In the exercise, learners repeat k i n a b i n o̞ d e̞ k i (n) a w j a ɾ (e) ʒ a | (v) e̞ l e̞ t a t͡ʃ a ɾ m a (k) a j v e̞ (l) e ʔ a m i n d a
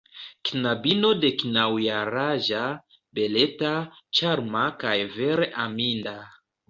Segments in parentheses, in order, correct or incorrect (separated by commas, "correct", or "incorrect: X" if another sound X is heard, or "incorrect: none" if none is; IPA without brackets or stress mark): correct, incorrect: a, incorrect: b, correct, incorrect: ɾ